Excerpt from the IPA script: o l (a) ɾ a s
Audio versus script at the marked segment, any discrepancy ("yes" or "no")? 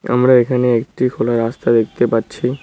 no